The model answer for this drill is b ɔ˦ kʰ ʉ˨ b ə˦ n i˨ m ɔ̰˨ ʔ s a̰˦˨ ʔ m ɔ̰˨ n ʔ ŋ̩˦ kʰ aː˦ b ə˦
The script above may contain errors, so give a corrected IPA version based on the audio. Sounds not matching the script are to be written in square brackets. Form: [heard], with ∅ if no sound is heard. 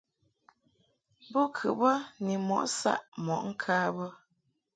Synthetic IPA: b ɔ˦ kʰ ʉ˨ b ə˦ n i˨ m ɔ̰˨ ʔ s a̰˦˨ ʔ m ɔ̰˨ [∅] ʔ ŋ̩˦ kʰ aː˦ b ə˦